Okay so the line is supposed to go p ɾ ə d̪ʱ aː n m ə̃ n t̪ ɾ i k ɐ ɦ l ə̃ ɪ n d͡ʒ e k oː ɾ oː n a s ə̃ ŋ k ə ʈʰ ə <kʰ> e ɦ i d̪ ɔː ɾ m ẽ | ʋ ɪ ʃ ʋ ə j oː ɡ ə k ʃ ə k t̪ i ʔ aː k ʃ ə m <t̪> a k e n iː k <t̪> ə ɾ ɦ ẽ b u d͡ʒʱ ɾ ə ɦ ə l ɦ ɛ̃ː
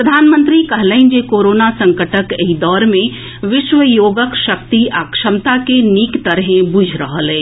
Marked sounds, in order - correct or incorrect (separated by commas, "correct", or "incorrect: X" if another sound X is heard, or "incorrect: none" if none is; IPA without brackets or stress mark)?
incorrect: k, correct, correct